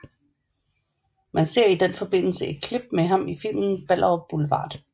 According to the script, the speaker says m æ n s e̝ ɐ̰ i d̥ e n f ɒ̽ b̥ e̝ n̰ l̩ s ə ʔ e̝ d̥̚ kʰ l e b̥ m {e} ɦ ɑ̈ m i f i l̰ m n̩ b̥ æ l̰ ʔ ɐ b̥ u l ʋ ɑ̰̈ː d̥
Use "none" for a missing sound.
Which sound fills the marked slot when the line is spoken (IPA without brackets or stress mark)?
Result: e